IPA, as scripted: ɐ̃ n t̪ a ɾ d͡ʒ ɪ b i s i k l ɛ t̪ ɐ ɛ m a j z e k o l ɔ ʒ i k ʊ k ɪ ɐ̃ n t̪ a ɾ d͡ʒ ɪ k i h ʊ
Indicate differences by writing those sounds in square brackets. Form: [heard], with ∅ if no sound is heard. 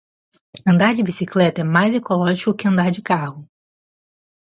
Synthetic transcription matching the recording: ɐ̃ n [d̪] a ɾ d͡ʒ ɪ b i s i k l ɛ t̪ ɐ ɛ m a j z e k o l ɔ ʒ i k ʊ k ɪ ɐ̃ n [d̪] a ɾ d͡ʒ ɪ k [a] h ʊ